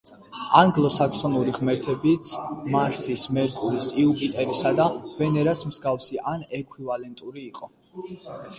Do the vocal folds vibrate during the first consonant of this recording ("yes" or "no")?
yes